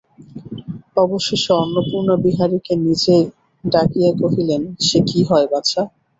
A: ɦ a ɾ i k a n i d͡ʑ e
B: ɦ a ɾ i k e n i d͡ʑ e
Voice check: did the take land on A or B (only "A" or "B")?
B